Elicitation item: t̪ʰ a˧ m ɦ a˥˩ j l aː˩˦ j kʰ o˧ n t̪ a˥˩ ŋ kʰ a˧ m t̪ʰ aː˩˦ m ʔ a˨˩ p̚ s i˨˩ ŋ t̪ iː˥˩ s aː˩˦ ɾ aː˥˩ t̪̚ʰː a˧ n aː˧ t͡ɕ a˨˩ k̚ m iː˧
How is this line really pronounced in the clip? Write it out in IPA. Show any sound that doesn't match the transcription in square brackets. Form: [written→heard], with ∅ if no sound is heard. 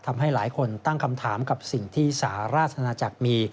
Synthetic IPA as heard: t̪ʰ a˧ m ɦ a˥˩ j l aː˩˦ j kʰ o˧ n t̪ a˥˩ ŋ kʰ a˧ m t̪ʰ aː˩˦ m [ʔ→k] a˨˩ p̚ s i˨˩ ŋ [t̪→t̪ʰ] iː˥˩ s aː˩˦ ɾ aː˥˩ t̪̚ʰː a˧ n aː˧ t͡ɕ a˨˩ k̚ m iː˧